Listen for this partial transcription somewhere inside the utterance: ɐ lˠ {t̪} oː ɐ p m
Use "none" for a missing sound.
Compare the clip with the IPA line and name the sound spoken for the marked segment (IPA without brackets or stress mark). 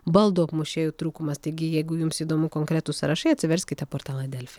d̪